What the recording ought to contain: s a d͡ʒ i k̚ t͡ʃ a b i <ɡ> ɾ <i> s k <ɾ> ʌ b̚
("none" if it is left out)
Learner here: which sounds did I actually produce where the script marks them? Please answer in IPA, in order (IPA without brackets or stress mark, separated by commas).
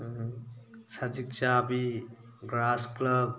ɡ, a, l